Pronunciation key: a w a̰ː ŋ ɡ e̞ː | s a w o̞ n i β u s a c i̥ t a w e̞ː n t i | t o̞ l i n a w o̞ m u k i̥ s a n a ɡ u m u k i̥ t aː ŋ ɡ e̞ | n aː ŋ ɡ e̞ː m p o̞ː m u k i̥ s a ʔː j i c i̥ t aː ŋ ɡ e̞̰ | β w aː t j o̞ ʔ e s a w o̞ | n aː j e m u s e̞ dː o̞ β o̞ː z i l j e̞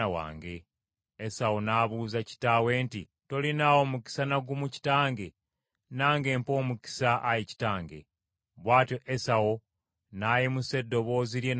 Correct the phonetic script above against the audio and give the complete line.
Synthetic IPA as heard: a w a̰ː ŋ ɡ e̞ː | s a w o̞ n a β u z a c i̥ t a w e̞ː n t i | t o̞ l i n a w o̞ m u k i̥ s a n a ɡ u m u c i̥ t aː ŋ ɡ e̞ | n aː ŋ ɡ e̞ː m p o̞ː m u k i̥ s a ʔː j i c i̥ t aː ŋ ɡ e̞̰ | β w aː t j o̞ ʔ e s a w o̞ | n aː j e m u s e̞ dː o̞ β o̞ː z i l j e̞